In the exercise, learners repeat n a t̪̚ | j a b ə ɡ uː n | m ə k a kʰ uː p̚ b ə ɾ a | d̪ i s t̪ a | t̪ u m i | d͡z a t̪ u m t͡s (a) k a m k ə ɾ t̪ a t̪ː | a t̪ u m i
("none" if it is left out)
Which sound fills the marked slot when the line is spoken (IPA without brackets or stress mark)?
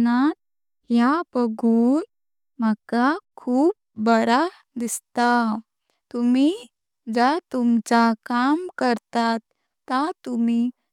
a